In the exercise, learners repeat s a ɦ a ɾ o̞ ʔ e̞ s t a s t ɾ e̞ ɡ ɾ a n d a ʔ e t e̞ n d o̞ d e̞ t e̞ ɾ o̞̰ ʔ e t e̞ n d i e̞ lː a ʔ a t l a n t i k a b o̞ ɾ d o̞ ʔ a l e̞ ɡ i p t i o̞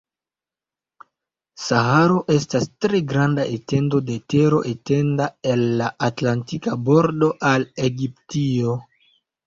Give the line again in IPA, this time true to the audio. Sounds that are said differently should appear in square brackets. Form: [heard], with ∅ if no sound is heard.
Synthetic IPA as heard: s a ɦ a ɾ o̞ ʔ e̞ s t a s t ɾ e̞ ɡ ɾ a n d a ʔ e t e̞ n d o̞ d e̞ t e̞ ɾ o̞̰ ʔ e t e̞ n d [a] e̞ lː a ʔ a t l a n t i k a b o̞ ɾ d o̞ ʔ a l e̞ ɡ i p t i o̞